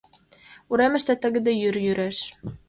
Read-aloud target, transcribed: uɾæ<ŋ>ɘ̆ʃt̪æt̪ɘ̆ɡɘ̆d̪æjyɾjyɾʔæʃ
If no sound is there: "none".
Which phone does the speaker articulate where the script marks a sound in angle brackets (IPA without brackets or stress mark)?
m